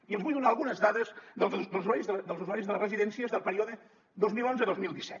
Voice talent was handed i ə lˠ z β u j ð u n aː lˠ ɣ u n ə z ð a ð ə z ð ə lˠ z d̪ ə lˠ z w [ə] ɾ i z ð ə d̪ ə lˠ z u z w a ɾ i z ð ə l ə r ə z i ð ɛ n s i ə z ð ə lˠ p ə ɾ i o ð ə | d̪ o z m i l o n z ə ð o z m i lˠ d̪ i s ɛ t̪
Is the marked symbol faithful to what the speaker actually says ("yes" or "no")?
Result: no